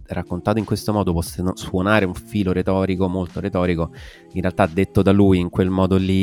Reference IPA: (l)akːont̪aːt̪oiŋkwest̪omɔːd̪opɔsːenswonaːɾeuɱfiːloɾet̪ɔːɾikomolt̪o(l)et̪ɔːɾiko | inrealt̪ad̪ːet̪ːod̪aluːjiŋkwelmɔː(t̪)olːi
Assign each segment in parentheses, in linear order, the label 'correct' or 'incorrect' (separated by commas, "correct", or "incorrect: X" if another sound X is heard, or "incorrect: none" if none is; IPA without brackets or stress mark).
incorrect: r, incorrect: ɾ, incorrect: d̪